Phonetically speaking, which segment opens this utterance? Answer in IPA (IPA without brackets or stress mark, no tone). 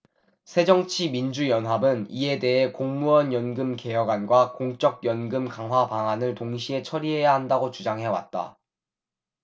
sʰ